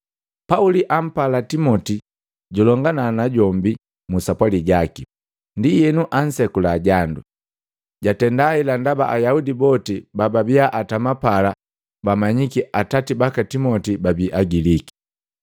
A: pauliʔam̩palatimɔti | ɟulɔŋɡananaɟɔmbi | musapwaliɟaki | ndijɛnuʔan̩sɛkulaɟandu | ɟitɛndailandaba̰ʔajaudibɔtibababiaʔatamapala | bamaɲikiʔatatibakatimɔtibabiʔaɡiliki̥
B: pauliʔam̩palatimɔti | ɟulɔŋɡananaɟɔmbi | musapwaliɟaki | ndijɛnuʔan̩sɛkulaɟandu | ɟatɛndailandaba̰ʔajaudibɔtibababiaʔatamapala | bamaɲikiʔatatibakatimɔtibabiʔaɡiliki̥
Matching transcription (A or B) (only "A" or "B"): B